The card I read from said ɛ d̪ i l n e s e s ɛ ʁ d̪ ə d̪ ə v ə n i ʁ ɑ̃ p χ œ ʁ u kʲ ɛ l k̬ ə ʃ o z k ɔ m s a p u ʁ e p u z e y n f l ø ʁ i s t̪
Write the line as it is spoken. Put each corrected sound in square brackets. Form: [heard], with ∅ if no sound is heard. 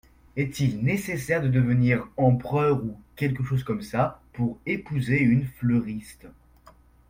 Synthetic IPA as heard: ɛ [t̪] i l n e s e s ɛ ʁ d̪ ə d̪ ə v ə n i ʁ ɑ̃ p χ œ ʁ u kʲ ɛ l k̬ ə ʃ o z k ɔ m s a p u ʁ e p u z e y n f l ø ʁ i s t̪